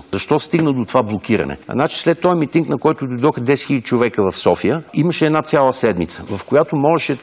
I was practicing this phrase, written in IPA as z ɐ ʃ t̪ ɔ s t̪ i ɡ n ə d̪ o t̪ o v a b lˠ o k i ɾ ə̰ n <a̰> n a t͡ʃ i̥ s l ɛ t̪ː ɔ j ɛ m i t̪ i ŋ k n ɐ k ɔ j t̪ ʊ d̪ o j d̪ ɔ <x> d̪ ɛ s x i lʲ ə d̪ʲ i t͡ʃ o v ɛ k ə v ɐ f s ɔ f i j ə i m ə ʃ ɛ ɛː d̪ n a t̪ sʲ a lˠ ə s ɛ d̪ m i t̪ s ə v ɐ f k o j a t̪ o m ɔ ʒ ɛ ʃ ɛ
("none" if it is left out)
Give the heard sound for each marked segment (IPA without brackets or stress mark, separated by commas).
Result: ɛ̰, x